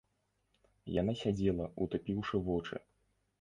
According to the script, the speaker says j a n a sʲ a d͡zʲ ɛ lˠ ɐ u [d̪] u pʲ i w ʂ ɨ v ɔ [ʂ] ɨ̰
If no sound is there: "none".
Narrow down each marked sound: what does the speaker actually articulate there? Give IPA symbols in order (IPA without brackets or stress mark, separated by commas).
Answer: t̪, t͡ʂ